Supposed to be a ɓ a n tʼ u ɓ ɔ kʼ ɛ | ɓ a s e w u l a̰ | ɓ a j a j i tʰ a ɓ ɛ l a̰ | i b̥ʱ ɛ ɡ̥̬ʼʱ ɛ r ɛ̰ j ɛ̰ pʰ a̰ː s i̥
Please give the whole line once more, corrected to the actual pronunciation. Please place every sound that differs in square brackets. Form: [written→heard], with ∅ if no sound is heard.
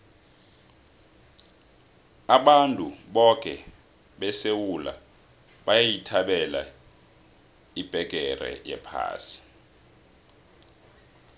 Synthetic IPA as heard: a ɓ a n tʼ u ɓ ɔ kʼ ɛ | ɓ [a→ɛ] s e w u l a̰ | ɓ a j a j i tʰ a ɓ ɛ l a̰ | i b̥ʱ ɛ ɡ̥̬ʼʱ ɛ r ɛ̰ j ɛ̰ pʰ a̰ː s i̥